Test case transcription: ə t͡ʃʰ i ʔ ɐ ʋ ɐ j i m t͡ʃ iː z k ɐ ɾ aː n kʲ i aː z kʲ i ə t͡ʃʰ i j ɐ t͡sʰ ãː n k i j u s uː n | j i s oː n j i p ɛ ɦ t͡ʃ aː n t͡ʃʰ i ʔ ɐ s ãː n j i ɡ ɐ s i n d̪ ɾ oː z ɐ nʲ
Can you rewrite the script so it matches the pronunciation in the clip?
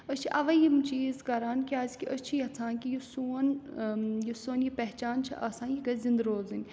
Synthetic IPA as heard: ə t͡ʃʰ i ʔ ɐ ʋ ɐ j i m t͡ʃ iː z k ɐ ɾ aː n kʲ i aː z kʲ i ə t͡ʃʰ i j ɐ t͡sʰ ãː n k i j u s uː n | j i s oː n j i p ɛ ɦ t͡ʃ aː n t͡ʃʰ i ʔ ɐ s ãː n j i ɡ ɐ z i n d̪ ɾ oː z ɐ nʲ